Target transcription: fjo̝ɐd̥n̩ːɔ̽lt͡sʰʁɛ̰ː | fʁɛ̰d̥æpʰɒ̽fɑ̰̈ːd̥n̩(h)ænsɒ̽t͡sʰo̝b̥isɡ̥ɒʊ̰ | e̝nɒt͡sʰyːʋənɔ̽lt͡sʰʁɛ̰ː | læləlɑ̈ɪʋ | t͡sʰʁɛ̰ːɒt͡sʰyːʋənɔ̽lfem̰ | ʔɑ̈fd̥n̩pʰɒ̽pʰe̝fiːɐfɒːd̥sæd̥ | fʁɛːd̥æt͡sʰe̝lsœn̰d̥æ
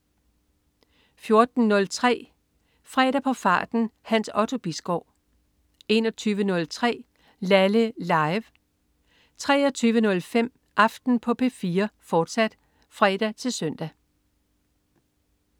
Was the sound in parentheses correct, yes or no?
yes